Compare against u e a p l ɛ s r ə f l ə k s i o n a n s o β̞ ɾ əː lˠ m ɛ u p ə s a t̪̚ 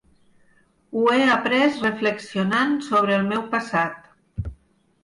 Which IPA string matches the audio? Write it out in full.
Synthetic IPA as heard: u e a p ɾ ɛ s r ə f l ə k s i o n a n s o β̞ ɾ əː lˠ m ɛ w p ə s a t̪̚